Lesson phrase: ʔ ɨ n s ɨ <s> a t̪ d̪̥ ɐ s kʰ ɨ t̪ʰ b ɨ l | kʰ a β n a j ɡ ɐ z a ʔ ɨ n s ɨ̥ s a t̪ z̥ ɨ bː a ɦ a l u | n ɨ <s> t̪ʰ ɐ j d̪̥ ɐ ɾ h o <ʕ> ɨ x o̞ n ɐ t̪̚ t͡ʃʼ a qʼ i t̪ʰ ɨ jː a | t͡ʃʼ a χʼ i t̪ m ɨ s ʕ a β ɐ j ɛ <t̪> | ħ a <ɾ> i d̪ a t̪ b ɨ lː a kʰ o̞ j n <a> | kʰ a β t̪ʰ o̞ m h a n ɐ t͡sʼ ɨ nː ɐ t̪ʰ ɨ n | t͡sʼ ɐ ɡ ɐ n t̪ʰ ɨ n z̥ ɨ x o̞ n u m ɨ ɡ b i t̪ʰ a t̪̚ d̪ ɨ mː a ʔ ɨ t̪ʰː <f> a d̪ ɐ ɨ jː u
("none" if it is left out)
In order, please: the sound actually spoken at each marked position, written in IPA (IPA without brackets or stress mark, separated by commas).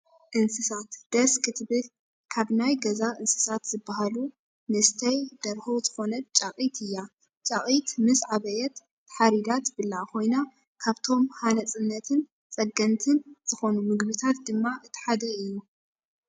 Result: s, s, z, t̪, ɾ, a, ħ